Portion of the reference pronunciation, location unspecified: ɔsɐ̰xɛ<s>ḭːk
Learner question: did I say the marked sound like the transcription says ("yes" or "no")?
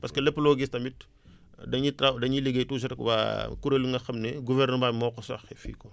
no